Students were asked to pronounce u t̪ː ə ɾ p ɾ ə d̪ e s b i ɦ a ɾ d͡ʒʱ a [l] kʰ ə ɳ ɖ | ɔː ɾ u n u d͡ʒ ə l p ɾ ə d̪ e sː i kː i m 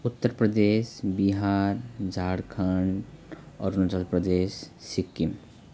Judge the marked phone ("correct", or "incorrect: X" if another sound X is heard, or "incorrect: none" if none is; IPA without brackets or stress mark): incorrect: ɽ